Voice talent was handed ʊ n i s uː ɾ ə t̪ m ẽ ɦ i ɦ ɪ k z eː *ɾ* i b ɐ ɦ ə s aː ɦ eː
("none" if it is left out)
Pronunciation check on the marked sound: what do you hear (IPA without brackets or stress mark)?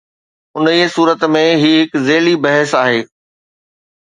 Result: l